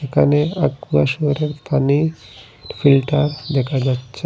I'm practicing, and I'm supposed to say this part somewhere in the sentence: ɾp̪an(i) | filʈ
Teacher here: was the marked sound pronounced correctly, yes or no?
yes